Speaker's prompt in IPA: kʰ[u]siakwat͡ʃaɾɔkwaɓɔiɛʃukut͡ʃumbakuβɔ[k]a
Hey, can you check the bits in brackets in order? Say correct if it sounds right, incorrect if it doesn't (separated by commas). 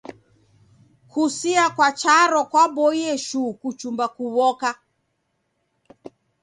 correct, correct